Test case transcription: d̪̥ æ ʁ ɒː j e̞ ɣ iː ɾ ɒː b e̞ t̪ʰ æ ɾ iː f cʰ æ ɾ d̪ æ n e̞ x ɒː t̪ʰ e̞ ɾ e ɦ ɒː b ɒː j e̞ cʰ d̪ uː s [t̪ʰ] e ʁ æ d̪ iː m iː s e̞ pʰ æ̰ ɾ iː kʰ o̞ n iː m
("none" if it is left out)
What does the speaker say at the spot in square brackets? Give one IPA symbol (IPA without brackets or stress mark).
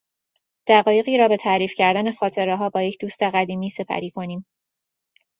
t̪